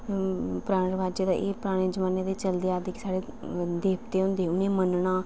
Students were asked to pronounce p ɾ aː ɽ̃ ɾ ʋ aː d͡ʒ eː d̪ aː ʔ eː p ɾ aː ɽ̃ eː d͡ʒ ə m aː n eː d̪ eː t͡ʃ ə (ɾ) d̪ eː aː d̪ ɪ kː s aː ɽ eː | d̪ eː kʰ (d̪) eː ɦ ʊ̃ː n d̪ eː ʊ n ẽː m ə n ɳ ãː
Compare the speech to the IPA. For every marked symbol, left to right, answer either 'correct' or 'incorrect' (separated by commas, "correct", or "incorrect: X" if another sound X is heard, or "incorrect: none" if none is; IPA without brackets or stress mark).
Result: incorrect: l, incorrect: t̪